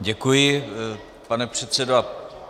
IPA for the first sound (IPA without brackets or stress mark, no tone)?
ɟ